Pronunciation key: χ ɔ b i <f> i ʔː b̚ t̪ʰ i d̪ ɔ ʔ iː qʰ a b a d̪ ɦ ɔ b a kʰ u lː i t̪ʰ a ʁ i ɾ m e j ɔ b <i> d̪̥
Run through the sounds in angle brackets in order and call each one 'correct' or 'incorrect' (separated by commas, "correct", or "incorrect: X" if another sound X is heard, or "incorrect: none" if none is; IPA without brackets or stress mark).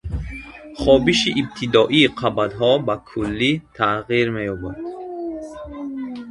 incorrect: ʃ, incorrect: a